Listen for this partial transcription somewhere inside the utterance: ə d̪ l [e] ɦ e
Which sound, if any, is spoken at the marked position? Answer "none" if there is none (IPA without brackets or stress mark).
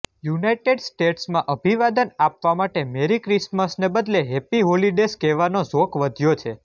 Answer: e